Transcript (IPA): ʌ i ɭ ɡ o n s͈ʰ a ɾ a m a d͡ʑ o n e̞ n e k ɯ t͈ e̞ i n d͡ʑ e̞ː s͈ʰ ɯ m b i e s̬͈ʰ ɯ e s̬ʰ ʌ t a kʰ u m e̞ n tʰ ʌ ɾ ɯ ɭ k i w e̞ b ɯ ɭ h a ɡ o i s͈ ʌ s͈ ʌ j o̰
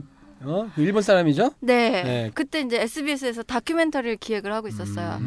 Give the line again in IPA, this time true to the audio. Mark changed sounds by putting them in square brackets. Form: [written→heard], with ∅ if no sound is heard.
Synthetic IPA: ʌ i ɭ [ɡ→b] o n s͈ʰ a ɾ a m [a→i] d͡ʑ o n e̞ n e k ɯ t͈ e̞ i n d͡ʑ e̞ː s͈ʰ ɯ [m→∅] b i e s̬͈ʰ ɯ e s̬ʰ ʌ t a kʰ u m e̞ n tʰ ʌ ɾ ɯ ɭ k i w e̞ [b→ɡ] ɯ ɭ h a ɡ o i s͈ ʌ s͈ ʌ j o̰